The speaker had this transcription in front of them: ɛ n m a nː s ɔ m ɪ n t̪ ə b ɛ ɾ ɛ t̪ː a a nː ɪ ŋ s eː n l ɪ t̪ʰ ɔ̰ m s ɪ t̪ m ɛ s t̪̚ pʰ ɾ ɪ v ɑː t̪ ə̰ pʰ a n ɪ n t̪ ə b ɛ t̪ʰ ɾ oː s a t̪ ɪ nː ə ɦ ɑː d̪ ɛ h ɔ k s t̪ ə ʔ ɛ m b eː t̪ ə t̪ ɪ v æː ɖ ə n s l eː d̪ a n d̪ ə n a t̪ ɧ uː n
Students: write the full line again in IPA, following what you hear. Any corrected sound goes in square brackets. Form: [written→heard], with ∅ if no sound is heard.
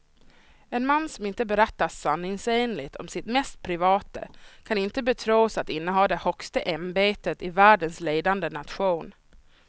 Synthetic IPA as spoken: ɛ n m a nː s ɔ m ɪ n t̪ ə b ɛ ɾ ɛ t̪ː a a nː ɪ ŋ s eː n l ɪ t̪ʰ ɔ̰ m s ɪ t̪ m ɛ s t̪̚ pʰ ɾ ɪ v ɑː t̪ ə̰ [pʰ→kʰ] a n ɪ n t̪ ə b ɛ t̪ʰ ɾ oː s a t̪ ɪ nː ə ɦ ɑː d̪ ɛ h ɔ k s t̪ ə ʔ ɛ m b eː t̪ ə t̪ ɪ v æː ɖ ə n s l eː d̪ a n d̪ ə n a t̪ ɧ uː n